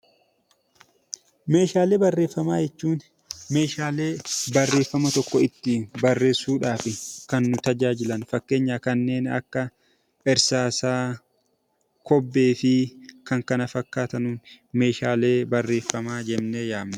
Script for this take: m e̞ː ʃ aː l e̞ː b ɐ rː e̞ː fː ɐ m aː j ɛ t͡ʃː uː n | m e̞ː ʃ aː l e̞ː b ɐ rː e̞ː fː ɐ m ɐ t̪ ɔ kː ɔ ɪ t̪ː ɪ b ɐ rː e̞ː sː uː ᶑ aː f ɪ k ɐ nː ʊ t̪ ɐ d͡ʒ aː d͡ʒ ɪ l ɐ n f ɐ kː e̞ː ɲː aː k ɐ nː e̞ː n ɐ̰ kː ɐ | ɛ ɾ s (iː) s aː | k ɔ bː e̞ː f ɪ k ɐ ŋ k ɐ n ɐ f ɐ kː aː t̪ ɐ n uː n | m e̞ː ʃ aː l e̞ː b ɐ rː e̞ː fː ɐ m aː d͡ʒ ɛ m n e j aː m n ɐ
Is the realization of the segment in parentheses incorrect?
yes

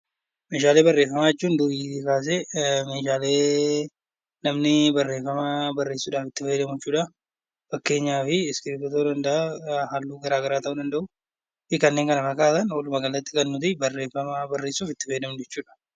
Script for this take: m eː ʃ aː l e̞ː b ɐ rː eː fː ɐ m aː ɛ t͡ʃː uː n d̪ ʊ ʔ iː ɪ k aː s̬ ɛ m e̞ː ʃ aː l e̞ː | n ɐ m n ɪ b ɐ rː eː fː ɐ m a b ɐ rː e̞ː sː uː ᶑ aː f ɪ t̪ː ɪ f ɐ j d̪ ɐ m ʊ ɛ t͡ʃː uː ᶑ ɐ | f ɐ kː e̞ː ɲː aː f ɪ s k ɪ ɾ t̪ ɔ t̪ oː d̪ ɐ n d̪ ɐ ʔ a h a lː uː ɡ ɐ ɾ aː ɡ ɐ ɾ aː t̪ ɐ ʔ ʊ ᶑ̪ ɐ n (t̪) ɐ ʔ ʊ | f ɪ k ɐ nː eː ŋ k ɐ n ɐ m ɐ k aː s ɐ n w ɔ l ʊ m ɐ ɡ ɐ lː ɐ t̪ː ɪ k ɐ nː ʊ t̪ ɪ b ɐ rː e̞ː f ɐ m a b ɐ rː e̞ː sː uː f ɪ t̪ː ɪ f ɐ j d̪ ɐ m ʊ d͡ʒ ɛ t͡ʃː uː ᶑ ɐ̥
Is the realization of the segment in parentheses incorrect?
yes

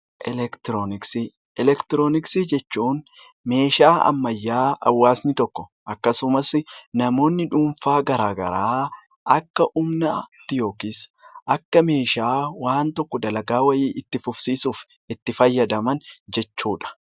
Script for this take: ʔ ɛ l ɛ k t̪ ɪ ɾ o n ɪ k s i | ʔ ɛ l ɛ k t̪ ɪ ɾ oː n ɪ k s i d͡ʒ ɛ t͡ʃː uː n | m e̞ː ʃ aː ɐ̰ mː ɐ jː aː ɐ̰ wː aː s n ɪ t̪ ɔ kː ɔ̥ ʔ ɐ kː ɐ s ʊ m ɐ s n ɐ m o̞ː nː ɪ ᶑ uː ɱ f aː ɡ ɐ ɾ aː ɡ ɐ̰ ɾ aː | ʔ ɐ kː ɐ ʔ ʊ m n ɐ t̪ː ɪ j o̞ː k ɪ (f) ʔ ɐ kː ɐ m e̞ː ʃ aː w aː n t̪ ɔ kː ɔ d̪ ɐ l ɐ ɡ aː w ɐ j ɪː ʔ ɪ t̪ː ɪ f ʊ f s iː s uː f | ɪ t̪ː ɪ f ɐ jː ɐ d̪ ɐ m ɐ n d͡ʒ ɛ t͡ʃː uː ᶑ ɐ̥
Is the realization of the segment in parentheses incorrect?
yes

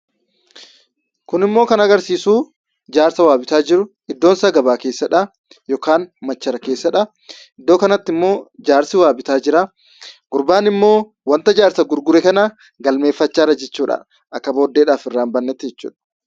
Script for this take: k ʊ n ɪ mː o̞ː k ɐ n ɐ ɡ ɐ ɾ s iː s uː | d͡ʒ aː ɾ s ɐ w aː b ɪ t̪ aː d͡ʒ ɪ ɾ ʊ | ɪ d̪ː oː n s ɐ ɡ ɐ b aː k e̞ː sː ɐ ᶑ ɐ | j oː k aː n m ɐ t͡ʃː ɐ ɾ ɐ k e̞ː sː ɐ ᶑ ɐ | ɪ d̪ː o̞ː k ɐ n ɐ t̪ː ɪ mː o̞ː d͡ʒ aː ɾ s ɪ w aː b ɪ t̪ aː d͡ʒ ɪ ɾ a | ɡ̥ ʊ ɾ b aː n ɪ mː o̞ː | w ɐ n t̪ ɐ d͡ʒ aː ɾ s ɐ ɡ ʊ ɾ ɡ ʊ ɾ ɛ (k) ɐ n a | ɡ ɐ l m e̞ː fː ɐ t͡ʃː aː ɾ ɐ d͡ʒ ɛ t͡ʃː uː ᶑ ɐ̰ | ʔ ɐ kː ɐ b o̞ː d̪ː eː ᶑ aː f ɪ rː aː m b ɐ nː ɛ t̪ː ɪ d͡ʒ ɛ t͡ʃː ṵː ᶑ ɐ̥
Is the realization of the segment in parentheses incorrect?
no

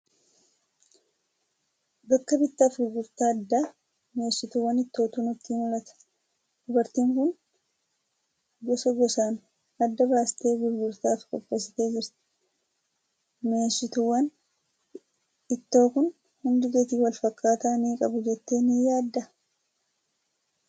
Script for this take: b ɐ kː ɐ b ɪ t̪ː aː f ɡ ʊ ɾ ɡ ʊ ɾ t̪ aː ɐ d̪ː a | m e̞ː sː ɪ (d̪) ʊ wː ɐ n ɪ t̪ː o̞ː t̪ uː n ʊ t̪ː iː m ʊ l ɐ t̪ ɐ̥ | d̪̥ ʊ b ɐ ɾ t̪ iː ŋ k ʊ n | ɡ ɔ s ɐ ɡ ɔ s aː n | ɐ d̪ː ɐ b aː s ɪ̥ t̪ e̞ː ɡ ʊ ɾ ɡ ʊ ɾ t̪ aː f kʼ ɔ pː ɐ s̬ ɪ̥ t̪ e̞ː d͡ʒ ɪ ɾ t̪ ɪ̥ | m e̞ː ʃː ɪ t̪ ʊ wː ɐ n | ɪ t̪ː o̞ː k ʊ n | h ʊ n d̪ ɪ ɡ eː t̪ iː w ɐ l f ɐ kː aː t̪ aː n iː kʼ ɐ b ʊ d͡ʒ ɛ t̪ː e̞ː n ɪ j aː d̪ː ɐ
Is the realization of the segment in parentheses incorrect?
yes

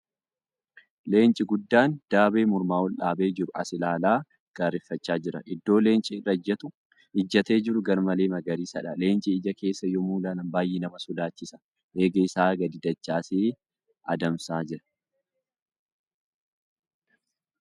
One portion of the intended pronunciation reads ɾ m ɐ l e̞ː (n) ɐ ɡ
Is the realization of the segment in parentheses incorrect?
yes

